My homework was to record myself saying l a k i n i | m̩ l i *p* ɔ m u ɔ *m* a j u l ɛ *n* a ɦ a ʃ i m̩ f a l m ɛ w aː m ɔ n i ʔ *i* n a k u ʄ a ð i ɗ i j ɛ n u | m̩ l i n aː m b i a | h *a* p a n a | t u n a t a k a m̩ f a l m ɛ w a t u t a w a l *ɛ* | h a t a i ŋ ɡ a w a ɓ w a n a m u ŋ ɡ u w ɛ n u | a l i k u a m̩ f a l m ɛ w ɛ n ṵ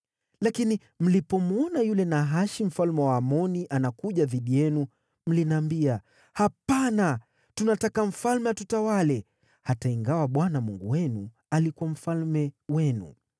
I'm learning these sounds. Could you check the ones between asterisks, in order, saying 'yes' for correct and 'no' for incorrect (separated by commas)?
yes, no, yes, no, yes, yes